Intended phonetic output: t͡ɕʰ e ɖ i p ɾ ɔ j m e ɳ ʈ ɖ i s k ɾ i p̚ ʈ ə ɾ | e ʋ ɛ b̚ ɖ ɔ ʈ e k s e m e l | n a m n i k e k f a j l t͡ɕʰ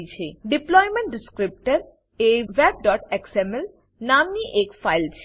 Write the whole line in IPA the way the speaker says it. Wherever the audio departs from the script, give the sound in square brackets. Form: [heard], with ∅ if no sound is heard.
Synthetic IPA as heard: t͡ɕʰ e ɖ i p [l] ɔ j m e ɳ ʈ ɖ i s k ɾ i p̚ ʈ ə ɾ | e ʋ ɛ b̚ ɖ ɔ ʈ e k s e m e l | n a m n i [ʔ] e k f a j l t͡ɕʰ